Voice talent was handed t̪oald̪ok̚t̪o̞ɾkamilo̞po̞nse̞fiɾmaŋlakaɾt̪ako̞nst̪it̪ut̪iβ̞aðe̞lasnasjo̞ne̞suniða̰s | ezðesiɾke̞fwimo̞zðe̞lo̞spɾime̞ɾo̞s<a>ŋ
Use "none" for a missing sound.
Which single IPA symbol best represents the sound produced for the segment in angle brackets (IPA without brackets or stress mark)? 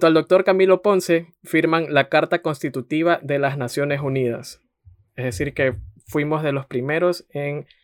e